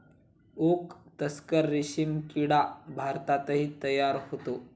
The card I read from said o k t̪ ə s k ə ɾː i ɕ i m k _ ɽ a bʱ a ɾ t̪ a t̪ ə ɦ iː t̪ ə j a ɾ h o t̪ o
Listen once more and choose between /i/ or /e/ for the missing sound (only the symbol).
i